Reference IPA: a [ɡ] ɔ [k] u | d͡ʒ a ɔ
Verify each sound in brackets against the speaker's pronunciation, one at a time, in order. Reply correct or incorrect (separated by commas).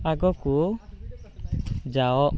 correct, correct